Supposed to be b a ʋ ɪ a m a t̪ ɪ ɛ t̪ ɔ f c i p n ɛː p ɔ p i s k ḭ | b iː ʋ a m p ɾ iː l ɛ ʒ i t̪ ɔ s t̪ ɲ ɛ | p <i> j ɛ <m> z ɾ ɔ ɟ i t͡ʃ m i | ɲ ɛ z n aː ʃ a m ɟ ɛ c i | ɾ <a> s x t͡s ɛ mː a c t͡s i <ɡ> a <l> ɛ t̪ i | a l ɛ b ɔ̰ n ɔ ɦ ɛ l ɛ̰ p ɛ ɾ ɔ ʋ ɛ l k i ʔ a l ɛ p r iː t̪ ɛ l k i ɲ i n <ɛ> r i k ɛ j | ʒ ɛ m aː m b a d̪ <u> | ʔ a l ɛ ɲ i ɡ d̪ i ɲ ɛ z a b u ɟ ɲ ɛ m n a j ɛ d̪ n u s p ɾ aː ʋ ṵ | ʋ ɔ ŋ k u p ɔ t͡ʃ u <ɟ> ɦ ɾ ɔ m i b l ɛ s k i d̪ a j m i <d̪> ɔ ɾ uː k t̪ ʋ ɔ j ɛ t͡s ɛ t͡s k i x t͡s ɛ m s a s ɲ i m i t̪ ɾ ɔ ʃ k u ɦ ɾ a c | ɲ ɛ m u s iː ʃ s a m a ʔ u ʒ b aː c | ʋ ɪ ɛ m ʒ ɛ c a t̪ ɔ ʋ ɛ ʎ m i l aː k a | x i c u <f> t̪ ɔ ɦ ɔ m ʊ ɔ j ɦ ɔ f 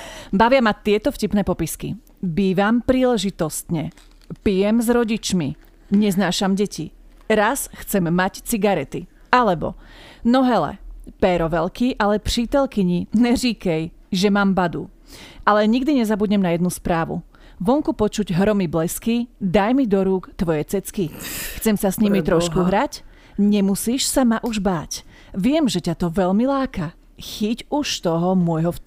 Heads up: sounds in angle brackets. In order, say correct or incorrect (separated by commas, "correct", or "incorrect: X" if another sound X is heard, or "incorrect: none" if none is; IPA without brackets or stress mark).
correct, correct, correct, correct, incorrect: ɾ, correct, correct, correct, correct, incorrect: ʃ